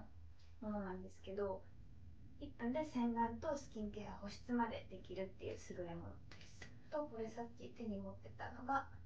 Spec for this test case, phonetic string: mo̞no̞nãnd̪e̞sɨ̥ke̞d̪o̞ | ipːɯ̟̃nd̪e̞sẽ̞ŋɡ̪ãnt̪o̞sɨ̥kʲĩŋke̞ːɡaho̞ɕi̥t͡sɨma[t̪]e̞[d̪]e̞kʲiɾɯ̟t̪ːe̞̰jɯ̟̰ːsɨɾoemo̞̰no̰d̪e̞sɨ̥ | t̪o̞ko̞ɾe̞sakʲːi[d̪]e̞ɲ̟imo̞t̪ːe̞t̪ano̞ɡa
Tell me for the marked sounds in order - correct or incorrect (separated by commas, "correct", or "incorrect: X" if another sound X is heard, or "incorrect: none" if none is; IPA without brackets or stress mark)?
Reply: incorrect: d̪, correct, incorrect: t̪